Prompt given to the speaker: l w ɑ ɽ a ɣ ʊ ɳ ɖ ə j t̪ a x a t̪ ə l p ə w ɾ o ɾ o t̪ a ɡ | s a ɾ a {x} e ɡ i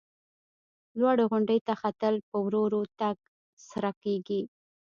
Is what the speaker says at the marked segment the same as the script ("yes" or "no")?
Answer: no